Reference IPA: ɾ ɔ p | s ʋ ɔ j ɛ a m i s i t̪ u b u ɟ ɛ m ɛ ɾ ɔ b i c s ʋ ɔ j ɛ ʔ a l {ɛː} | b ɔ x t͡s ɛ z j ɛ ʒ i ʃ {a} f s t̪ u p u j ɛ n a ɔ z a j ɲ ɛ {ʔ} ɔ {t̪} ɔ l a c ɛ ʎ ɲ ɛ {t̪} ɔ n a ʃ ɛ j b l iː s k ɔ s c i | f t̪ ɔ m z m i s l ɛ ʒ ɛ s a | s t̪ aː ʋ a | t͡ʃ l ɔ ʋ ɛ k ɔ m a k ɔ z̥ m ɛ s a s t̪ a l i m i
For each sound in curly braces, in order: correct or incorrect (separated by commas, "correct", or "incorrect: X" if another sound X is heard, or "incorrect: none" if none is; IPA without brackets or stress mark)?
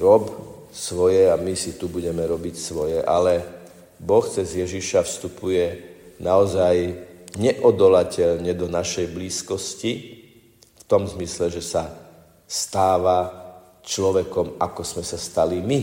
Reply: incorrect: ɛ, correct, correct, incorrect: d̪, incorrect: d̪